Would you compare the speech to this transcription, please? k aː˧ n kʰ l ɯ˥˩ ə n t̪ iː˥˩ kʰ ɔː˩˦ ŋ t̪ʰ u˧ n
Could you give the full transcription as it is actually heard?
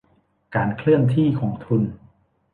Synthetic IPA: k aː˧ n kʰ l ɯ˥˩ ə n t̪ʰ iː˥˩ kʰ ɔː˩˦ ŋ t̪ʰ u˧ n